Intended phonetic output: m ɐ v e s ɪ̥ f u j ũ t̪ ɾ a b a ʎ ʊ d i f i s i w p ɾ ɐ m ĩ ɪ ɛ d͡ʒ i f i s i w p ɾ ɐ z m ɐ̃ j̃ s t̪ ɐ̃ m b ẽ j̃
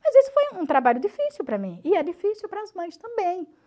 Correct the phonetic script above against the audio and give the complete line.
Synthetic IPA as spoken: m ɐ z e s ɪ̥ f o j ũ t̪ ɾ a b a ʎ ʊ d i f i s i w p ɾ ɐ m ĩ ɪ ɛ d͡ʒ i f i s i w p ɾ ɐ z m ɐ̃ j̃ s t̪ ɐ̃ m b ẽ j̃